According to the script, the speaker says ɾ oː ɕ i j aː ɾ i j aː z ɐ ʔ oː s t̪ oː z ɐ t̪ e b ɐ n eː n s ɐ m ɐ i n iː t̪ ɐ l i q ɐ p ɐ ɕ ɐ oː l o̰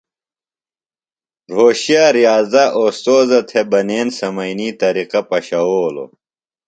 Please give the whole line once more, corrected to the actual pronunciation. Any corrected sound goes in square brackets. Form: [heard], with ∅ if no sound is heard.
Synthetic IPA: ɾ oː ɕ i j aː ɾ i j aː z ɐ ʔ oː s t̪ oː z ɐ [t̪ʰ] e b ɐ n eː n s ɐ m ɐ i n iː t̪ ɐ [ɾ] i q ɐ p ɐ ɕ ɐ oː l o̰